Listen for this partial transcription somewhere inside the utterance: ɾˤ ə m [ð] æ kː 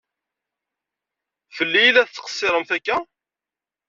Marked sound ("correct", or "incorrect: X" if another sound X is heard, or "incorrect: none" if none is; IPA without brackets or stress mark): incorrect: θ